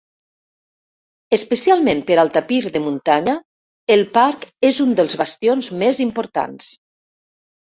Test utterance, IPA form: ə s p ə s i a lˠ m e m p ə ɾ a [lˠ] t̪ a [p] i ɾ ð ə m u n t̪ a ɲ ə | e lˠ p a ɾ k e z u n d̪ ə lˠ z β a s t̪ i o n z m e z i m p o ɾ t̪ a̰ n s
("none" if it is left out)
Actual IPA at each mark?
lˠ, p

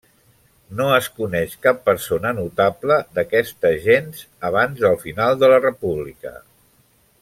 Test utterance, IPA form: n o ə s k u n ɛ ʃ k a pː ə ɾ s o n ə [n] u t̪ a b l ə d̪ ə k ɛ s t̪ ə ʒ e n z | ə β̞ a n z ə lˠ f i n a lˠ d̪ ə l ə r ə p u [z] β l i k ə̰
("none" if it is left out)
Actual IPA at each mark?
n, none

